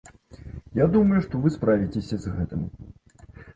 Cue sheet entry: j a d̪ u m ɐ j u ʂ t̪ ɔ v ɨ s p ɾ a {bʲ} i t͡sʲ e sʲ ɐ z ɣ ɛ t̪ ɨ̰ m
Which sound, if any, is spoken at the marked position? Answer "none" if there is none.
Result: vʲ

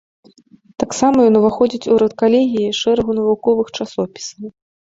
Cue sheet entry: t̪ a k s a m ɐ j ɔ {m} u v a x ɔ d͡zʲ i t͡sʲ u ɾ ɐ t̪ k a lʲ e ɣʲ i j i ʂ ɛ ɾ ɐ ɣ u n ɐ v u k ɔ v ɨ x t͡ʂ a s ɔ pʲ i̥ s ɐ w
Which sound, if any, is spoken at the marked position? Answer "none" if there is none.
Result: n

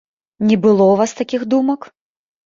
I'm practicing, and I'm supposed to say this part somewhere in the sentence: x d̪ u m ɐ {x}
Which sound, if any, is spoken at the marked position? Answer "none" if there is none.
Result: k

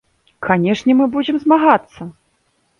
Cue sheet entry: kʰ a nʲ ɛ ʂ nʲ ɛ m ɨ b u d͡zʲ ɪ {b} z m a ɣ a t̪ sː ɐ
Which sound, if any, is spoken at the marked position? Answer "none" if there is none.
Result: m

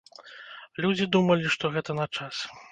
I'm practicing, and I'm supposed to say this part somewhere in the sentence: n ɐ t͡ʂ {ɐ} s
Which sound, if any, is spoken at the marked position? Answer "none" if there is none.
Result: a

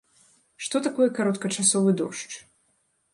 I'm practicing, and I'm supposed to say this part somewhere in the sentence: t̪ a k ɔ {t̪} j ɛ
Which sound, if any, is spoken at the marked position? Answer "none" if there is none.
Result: none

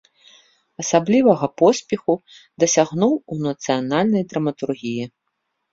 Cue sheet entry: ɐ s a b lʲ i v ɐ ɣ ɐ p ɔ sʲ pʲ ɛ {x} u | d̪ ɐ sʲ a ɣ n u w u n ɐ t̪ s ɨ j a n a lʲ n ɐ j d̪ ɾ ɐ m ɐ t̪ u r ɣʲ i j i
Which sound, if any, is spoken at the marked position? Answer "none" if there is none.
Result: x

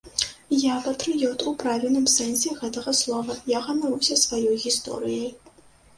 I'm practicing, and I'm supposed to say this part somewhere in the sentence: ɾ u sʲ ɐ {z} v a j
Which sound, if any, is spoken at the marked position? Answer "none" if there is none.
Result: s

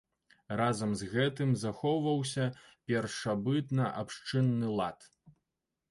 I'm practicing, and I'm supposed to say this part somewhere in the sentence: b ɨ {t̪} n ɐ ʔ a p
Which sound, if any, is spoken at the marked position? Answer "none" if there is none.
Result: t̪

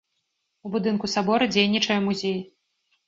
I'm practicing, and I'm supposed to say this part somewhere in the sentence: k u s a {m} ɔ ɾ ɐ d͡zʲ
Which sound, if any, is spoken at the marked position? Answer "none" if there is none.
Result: b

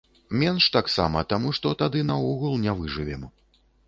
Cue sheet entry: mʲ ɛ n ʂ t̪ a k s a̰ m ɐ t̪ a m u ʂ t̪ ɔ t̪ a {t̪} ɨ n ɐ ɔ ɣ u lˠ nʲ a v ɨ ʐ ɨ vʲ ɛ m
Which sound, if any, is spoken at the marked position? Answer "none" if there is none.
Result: d̪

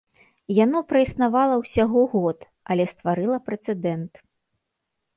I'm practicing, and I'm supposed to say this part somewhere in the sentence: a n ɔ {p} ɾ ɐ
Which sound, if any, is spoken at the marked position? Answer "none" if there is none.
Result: p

